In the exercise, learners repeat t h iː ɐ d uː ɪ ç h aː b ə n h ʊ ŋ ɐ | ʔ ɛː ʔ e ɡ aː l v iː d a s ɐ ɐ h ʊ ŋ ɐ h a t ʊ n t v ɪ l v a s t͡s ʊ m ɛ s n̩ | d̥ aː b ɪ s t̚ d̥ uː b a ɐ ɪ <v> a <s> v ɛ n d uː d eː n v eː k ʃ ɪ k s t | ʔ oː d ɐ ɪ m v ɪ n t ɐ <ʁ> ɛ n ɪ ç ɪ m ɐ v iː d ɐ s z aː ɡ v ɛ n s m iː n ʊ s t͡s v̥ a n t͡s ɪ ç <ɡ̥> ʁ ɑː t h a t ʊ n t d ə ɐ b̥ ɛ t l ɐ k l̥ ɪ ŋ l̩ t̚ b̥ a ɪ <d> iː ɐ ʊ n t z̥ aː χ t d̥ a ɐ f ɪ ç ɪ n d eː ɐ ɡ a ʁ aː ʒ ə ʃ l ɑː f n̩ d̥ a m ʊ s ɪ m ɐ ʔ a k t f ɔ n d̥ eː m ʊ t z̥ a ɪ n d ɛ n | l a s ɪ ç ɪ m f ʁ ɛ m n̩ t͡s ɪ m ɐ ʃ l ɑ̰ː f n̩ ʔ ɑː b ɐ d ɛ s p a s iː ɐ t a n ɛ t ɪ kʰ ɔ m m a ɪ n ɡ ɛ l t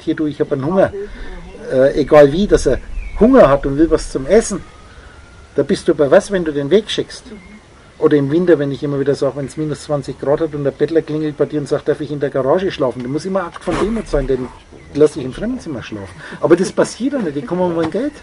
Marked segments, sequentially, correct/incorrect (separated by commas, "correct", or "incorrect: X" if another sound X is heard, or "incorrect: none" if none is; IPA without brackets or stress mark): correct, correct, incorrect: v, correct, correct